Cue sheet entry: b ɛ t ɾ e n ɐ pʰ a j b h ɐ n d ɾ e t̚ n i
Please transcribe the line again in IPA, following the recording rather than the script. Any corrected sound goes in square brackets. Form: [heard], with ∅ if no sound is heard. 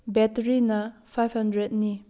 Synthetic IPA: b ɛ t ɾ [i] n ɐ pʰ a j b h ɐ n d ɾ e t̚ n i